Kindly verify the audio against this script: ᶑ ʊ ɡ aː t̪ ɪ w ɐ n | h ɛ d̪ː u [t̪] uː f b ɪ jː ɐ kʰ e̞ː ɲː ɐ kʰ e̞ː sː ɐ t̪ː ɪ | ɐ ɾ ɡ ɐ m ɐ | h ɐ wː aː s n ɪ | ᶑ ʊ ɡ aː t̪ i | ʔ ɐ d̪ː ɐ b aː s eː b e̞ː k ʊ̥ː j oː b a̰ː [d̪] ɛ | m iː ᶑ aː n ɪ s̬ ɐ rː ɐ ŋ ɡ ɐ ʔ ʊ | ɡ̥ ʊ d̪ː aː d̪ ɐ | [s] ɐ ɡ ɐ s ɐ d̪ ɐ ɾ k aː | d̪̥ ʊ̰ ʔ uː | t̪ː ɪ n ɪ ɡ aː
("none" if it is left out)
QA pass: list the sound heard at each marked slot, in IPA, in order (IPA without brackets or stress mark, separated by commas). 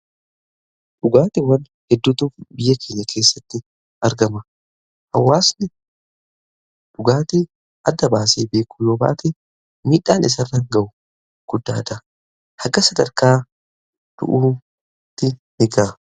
t̪, t̪, h